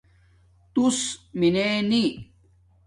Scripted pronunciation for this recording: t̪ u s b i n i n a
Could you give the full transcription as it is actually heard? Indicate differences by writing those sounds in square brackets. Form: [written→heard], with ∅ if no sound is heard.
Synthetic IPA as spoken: t̪ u s [b→m] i n [i→e] n [a→i]